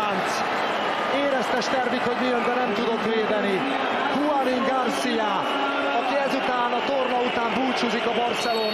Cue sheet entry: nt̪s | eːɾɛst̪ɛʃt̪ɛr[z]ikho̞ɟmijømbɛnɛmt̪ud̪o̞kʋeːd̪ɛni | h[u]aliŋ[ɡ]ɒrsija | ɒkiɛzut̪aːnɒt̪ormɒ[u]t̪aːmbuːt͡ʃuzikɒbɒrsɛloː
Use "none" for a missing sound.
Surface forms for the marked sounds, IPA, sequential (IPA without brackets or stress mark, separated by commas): v, u, ɡ, u